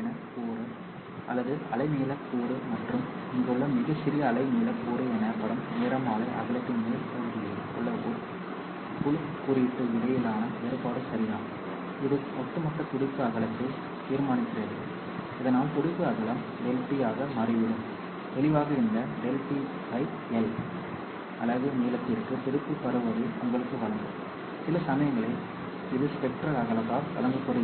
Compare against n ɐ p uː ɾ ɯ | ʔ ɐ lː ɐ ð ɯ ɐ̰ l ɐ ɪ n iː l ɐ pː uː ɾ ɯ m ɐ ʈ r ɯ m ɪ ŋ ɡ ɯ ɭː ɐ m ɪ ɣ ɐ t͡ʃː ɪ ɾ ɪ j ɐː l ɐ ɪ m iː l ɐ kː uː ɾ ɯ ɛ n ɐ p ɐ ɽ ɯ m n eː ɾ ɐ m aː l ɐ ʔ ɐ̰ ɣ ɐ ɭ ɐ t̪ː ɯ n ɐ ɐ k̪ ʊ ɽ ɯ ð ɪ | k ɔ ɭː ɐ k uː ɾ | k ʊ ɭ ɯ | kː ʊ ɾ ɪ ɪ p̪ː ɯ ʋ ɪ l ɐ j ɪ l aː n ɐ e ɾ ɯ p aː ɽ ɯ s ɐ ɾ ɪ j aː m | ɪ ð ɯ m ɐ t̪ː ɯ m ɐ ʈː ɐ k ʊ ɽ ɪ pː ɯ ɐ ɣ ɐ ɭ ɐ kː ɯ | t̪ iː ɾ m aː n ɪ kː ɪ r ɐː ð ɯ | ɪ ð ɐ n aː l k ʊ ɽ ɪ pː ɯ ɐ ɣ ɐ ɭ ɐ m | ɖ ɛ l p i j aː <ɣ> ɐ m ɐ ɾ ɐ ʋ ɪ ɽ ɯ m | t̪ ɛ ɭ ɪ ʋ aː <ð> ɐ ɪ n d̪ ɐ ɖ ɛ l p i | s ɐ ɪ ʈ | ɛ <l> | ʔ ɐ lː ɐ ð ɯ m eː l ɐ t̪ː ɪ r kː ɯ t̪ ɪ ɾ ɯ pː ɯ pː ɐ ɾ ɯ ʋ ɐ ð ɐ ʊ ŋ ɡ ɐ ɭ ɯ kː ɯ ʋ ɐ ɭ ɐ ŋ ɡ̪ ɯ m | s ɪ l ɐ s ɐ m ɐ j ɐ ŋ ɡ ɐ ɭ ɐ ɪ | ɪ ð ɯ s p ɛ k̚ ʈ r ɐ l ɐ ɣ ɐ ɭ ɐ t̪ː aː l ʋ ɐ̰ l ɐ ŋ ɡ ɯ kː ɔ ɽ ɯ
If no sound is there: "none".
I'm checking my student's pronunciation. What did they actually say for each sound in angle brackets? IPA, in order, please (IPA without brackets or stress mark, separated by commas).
ɣ, ɣ, l